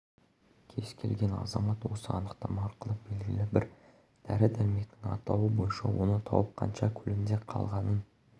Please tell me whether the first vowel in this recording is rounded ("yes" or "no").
no